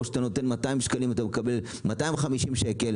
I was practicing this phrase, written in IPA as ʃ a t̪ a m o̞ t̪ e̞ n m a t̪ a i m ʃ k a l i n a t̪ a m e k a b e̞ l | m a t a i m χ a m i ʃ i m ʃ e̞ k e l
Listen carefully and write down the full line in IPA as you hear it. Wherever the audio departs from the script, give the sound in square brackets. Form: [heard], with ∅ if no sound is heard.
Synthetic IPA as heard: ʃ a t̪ a [n] o̞ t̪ e̞ n m a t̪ a i m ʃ k a l i [m] a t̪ a m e k a b e̞ l | m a t a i m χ a m i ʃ i m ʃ e̞ k e l